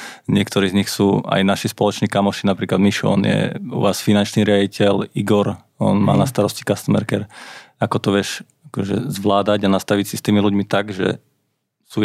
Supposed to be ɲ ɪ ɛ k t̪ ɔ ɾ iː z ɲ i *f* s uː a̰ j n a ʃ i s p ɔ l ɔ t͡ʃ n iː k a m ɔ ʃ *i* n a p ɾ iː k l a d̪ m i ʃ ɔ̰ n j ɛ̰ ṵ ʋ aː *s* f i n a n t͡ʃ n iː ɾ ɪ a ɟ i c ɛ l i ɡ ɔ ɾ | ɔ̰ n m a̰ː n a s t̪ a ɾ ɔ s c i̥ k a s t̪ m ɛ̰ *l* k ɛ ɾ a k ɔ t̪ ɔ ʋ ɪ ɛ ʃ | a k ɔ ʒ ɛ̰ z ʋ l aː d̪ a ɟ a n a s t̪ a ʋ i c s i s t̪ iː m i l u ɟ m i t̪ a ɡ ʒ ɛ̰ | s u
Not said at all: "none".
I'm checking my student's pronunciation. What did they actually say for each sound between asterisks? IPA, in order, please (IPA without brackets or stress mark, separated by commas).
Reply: x, i, s, ɾ